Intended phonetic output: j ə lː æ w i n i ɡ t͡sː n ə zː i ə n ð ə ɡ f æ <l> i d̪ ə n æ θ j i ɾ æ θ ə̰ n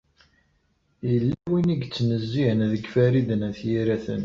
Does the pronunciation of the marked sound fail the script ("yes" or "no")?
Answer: yes